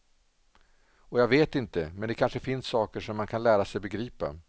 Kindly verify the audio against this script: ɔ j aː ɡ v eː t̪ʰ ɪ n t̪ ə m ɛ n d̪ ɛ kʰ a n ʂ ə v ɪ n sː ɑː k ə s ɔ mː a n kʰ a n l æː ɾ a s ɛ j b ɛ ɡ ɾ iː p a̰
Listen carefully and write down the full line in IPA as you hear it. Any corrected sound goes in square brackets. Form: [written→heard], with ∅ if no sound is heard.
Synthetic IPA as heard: ɔ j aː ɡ v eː [t̪ʰ→t̪] ɪ n t̪ ə m ɛ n d̪ ɛ kʰ a n ʂ ə [v→f] ɪ n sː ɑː k ə [s→ʂ] ɔ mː a n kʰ a n l æː ɾ a s ɛ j b ɛ ɡ ɾ iː p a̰

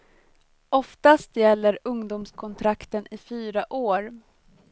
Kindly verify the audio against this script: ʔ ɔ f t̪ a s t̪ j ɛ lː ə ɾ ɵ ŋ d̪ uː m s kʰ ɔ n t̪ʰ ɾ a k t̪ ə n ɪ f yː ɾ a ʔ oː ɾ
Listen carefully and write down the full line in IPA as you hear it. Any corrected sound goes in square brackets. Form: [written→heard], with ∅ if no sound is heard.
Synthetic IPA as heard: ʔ ɔ f t̪ a s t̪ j ɛ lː ə ɾ ɵ ŋ d̪ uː m s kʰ ɔ n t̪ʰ ɾ a k t̪ ə n ɪ f yː ɾ a ʔ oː ɾ

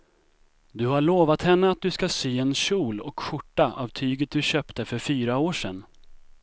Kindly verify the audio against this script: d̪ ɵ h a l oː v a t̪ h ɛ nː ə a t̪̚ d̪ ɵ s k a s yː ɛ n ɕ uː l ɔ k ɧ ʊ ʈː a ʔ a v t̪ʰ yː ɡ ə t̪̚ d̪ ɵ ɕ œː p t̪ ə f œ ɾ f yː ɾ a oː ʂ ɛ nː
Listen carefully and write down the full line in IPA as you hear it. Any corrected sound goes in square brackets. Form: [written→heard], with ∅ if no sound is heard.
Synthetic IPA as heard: d̪ ɵ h a [l→ɭ] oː v a t̪ h ɛ nː ə a t̪̚ d̪ ɵ s k a s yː ɛ n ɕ uː l ɔ k ɧ ʊ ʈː a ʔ a v t̪ʰ yː ɡ ə t̪̚ d̪ ɵ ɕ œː p t̪ ə f œ ɾ f yː ɾ a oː ʂ ɛ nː

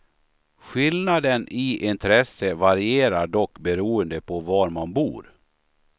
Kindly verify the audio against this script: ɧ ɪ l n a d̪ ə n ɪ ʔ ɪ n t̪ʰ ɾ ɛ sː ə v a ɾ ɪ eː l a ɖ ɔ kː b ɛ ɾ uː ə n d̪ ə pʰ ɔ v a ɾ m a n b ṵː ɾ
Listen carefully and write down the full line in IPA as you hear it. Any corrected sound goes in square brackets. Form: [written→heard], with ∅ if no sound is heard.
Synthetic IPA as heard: ɧ ɪ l n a d̪ ə n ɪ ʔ ɪ n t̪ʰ ɾ ɛ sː ə v a ɾ ɪ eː [l→ɾ] a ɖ ɔ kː b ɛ ɾ uː ə n d̪ ə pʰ ɔ v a ɾ m a n b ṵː ɾ

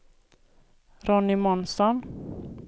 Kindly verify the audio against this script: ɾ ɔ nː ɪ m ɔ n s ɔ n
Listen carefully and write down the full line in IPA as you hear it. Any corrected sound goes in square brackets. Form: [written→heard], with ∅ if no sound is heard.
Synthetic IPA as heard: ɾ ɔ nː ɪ m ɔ n s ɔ n

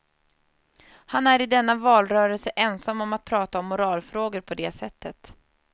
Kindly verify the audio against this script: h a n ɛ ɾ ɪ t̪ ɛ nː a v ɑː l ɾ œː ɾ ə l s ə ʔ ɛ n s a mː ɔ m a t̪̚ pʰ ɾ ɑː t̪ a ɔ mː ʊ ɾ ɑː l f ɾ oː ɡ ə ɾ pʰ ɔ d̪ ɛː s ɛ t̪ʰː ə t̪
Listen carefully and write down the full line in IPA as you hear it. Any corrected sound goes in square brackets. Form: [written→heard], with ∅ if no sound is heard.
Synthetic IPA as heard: h a n [ɛ→æ] ɾ ɪ [t̪→d̪] ɛ nː a v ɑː l ɾ œː ɾ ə l s ə ʔ ɛ n s a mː ɔ m a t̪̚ pʰ ɾ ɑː t̪ a ɔ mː ʊ ɾ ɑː l f ɾ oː ɡ ə ɾ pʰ ɔ d̪ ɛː s ɛ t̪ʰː ə t̪

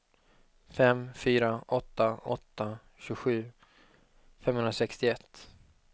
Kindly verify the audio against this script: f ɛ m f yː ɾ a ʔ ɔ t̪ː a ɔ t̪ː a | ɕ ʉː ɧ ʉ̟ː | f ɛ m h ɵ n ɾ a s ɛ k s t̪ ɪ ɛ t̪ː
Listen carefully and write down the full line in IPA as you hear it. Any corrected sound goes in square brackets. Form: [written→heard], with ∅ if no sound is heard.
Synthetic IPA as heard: f ɛ m f yː ɾ a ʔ ɔ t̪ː a ɔ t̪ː a | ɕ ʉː ɧ ʉ̟ː | f ɛ m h ɵ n ɾ a s ɛ k s t̪ ɪ ɛ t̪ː

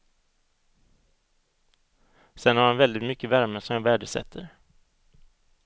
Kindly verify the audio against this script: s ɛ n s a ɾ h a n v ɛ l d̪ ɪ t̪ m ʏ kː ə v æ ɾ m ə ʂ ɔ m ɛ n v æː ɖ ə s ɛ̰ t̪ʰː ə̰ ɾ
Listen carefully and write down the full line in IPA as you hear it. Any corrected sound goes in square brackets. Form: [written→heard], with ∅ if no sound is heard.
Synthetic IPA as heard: s ɛ n [s→h] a ɾ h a n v ɛ l d̪ ɪ t̪ m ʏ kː ə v æ ɾ m ə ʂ ɔ m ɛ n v æː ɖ ə s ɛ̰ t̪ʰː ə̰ ɾ

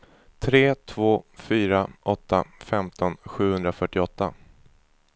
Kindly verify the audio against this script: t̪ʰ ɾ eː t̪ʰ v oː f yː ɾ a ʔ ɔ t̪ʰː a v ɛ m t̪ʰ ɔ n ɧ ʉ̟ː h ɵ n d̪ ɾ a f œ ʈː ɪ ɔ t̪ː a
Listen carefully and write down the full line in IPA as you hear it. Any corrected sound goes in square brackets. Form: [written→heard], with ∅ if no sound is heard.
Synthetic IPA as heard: t̪ʰ ɾ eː t̪ʰ v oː f yː ɾ a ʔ ɔ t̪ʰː a [v→f] ɛ m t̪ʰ ɔ n ɧ ʉ̟ː h ɵ n d̪ ɾ a f œ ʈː ɪ ɔ t̪ː a

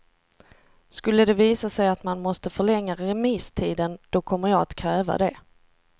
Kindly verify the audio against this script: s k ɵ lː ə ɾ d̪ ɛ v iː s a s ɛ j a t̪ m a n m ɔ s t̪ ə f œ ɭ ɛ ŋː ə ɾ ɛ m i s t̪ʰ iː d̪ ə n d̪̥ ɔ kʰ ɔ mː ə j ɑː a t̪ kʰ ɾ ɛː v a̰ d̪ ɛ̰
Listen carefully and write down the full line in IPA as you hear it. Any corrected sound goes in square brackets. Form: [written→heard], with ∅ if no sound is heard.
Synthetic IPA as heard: s k ɵ lː ə [ɾ→∅] d̪ ɛ v iː s a s ɛ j a t̪ m a n m ɔ s t̪ ə f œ ɭ ɛ ŋː [ə→a] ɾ ɛ m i s t̪ʰ iː d̪ ə n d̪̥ ɔ kʰ ɔ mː ə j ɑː a t̪ kʰ ɾ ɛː v a̰ d̪ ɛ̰

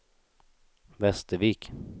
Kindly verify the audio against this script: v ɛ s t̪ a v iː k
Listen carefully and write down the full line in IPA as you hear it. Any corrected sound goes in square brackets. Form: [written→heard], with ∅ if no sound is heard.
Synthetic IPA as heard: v ɛ s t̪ [a→ə] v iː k

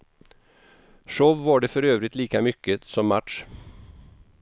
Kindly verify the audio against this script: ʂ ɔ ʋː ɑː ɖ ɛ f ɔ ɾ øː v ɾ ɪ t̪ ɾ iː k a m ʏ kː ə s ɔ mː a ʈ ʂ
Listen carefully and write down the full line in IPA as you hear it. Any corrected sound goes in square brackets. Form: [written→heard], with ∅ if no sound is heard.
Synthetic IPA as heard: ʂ ɔ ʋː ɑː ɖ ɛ f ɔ ɾ øː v ɾ ɪ t̪ [ɾ→l] iː k a m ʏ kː ə s ɔ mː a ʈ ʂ

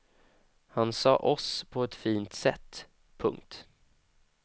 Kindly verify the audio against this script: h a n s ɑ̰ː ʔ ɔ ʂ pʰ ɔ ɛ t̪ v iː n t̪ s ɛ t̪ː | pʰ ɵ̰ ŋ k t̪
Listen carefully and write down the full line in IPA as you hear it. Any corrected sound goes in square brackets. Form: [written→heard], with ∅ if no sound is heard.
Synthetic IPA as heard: h a n s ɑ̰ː ʔ ɔ [ʂ→s] pʰ ɔ ɛ t̪ [v→f] iː n t̪ s ɛ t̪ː | pʰ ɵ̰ ŋ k t̪

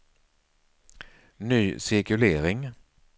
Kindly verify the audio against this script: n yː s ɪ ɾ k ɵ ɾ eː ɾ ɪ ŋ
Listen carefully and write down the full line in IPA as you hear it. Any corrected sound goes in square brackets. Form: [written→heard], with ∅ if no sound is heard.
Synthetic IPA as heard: n yː s ɪ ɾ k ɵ [ɾ→l] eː ɾ ɪ ŋ

